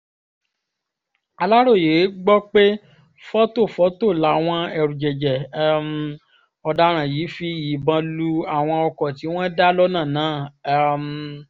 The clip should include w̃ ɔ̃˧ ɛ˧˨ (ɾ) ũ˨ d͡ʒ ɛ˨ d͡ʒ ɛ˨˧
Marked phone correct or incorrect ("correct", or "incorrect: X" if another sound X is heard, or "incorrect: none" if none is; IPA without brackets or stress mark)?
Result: correct